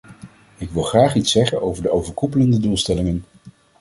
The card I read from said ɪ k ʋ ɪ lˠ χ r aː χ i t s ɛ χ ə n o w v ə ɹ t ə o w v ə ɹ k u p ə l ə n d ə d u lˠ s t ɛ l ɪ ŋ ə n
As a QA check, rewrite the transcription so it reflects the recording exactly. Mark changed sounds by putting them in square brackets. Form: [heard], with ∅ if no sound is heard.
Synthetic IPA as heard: ɪ k ʋ ɪ lˠ χ r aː χ i t s ɛ χ ə n o w v ə ɹ [d] ə o w v ə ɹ k u p ə l ə n d ə d u lˠ s t ɛ l ɪ ŋ ə n